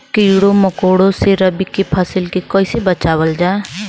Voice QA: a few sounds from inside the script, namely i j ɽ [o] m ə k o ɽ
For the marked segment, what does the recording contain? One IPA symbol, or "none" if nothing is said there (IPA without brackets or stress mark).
o